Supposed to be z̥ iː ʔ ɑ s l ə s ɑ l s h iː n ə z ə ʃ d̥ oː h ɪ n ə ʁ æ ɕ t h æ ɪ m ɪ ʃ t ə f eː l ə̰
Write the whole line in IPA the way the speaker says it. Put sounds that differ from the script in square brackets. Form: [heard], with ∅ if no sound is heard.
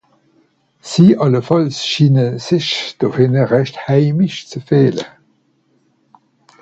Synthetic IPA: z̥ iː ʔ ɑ [∅] l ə [f] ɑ l s [ʃ] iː n ə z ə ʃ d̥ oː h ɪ n ə ʁ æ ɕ t h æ ɪ m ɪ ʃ [t͡s] ə f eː l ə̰